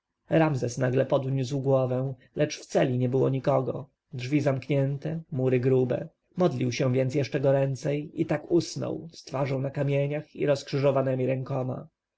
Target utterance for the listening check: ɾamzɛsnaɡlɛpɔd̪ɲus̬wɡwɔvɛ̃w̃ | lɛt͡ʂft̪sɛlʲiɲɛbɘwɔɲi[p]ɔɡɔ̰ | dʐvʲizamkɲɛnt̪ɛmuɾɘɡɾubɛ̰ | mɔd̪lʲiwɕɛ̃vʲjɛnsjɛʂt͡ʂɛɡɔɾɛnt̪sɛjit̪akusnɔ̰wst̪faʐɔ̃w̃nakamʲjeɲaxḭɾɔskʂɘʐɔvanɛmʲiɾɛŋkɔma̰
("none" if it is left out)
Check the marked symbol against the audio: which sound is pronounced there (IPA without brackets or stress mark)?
k